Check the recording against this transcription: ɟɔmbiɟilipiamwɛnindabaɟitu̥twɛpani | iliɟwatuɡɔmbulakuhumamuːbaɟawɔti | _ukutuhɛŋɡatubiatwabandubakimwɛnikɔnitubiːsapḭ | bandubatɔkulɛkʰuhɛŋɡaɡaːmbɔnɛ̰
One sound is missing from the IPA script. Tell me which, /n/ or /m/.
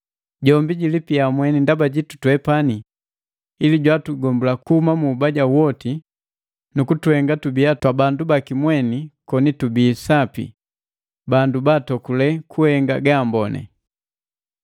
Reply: n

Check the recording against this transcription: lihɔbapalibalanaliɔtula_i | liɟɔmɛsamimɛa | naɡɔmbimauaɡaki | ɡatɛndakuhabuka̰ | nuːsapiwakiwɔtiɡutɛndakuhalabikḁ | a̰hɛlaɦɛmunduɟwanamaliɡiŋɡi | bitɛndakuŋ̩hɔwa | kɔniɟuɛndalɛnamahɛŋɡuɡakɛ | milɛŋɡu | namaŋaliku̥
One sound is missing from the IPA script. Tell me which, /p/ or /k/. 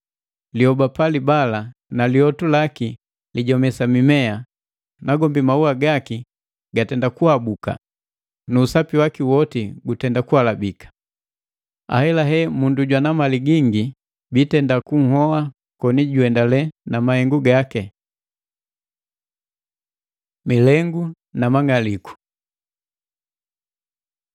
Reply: k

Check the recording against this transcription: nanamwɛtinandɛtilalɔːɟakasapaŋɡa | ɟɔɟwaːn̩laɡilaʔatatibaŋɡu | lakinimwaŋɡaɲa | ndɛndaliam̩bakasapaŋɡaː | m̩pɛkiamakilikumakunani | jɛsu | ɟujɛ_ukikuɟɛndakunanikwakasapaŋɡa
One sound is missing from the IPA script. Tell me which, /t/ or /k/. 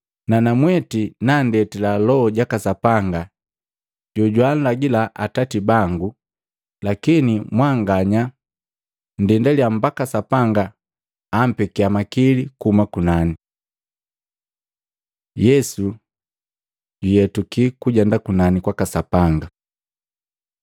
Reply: t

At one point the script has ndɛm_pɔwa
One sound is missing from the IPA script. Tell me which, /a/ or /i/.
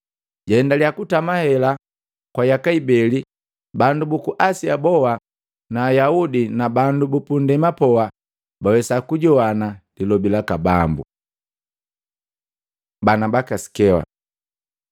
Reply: a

